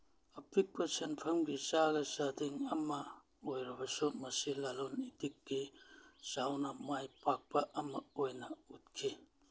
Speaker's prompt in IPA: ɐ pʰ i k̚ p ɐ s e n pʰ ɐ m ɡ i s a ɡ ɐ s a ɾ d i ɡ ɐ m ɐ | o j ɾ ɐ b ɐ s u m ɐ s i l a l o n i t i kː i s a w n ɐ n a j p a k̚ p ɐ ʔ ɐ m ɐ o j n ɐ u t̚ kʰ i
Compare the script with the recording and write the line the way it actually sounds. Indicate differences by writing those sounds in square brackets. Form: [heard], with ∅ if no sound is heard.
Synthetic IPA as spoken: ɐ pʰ i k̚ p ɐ s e n pʰ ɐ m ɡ i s a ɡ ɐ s a [∅] d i [ŋ] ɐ m ɐ | o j ɾ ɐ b ɐ s u m ɐ s i l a l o n i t i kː i s a w n ɐ [m] a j p a k̚ p ɐ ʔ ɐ m ɐ o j n ɐ u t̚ kʰ i

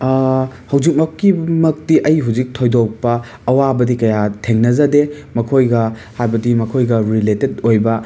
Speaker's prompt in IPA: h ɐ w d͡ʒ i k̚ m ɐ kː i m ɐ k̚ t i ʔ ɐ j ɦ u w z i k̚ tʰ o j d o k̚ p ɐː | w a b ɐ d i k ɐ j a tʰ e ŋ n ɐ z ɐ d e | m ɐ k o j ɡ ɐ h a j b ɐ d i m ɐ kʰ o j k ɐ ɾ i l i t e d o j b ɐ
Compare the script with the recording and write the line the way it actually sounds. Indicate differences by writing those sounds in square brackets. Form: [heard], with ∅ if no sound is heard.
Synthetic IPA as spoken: h ɐ w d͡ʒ i k̚ m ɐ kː i m ɐ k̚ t i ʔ ɐ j ɦ u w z i k̚ tʰ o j d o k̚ p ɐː | w a b ɐ d i k ɐ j a tʰ e ŋ n ɐ z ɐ d e | m ɐ [kʰ] o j ɡ ɐ h a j b ɐ d i m ɐ kʰ o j [ɡ] ɐ ɾ i l [e] t e d o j b ɐ

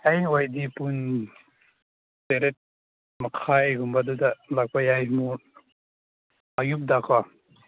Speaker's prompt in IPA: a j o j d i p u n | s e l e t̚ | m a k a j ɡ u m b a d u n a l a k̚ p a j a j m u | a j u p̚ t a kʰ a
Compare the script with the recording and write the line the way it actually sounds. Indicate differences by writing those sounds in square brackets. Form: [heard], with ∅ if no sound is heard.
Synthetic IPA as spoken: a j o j d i p u n | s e [ɾ] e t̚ | m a [kʰ] a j ɡ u m b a d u [d] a l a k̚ p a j a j m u | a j u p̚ [d] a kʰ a

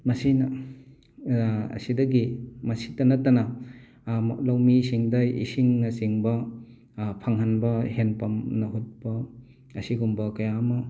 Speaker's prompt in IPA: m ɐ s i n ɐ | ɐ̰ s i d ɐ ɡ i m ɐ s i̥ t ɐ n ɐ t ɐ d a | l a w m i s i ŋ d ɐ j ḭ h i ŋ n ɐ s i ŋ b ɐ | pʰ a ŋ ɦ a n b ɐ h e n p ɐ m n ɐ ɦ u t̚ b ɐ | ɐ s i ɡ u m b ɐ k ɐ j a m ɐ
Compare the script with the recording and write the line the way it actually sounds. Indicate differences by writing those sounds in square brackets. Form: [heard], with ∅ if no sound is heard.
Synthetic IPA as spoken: m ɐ s i n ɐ | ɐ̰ s i d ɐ ɡ i m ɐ s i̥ t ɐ n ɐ t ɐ [n] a | l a w m i s i ŋ d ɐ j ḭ [s] i ŋ n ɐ s i ŋ b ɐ | pʰ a ŋ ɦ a n b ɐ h e n p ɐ m n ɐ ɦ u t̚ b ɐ | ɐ s i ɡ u m b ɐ k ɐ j a m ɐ

